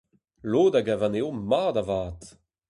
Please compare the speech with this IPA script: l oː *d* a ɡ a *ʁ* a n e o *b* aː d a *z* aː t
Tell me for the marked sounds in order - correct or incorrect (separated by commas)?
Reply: correct, incorrect, incorrect, incorrect